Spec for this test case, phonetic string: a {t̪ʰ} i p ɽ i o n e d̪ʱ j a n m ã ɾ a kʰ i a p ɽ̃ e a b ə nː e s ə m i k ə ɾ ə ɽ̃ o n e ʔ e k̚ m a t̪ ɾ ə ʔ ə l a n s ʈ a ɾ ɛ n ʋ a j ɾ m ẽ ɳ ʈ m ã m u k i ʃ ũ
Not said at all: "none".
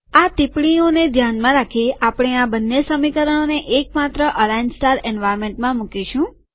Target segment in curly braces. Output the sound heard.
t̪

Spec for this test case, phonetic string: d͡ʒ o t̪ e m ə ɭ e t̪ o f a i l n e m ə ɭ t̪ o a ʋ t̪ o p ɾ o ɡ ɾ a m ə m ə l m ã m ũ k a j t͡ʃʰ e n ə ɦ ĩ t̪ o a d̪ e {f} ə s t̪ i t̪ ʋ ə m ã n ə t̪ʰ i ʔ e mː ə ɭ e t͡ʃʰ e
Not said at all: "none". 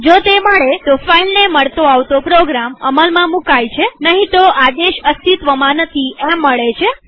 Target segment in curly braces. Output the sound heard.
ʃ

